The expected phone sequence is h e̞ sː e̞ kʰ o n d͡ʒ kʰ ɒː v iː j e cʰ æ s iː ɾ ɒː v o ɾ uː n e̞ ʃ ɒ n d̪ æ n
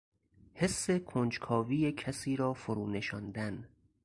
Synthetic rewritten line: h e̞ sː e̞ kʰ o n d͡ʒ kʰ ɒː v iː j e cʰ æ s iː ɾ ɒː f o ɾ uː n e̞ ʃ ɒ n d̪ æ n